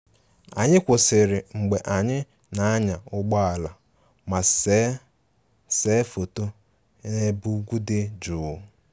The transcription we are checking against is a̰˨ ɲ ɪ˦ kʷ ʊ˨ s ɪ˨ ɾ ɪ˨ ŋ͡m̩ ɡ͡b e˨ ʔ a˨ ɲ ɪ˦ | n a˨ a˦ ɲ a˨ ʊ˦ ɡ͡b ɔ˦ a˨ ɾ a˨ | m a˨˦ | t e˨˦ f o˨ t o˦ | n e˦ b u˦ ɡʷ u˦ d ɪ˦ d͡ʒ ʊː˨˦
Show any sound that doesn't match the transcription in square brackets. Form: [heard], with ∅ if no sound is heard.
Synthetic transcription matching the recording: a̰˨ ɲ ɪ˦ kʷ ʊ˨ s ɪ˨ ɾ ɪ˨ ŋ͡m̩ ɡ͡b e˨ ʔ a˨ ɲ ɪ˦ | n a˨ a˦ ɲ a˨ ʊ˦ ɡ͡b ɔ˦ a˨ [l] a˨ | m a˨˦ | [s] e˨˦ f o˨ t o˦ | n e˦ b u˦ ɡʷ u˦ d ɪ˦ d͡ʒ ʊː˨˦